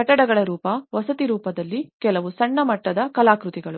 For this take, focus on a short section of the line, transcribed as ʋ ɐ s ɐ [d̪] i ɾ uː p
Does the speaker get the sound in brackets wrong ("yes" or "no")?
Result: yes